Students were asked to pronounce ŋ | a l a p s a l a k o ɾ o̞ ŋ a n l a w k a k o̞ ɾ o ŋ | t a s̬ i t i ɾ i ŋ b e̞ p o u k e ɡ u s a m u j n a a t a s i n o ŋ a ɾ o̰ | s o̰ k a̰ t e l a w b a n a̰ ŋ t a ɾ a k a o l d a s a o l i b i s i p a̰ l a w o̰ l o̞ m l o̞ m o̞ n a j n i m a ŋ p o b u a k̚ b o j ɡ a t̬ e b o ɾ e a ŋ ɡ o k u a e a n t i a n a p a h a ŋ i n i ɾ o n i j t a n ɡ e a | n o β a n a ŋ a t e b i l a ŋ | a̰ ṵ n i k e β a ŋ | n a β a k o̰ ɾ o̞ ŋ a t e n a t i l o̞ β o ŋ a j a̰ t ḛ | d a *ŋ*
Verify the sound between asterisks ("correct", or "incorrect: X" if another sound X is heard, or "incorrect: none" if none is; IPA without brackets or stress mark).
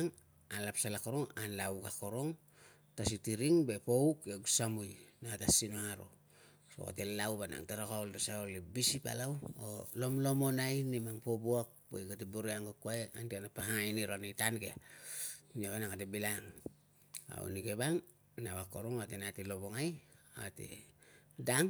correct